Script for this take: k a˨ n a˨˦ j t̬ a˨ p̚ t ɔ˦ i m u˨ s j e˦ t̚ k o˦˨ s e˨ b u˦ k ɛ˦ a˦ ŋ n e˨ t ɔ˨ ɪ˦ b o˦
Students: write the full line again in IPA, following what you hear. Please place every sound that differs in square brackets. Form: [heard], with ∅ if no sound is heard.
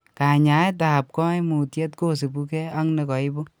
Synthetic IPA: k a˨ [ɲ] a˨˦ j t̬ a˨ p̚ [k] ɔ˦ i m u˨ [t] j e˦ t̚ k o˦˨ s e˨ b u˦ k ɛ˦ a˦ ŋ n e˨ [k] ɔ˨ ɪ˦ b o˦